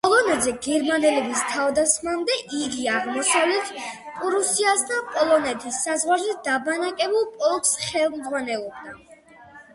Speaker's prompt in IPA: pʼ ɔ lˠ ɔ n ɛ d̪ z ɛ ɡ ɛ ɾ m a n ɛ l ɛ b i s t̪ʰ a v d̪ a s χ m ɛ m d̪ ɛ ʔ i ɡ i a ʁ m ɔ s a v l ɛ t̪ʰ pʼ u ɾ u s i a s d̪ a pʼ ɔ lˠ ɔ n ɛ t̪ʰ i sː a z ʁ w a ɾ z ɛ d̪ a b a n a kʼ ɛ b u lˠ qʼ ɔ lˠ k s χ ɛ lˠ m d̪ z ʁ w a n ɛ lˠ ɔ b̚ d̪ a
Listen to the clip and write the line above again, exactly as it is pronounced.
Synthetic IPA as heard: pʼ ɔ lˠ ɔ n ɛ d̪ z ɛ ɡ ɛ ɾ m a n ɛ l ɛ b i s t̪ʰ a v d̪ a s χ m a m d̪ ɛ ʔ i ɡ i a ʁ m ɔ s a v l ɛ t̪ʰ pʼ u ɾ u s i a s d̪ a pʼ ɔ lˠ ɔ n ɛ t̪ʰ i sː a z ʁ w a ɾ z ɛ d̪ a b a n a kʼ ɛ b u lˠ pʼ ɔ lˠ k s χ ɛ lˠ m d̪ z ʁ w a n ɛ lˠ ɔ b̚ d̪ a